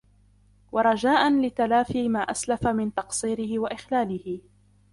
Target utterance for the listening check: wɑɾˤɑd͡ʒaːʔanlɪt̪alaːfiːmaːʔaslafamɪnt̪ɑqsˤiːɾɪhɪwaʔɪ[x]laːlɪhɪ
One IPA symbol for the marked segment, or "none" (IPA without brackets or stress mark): x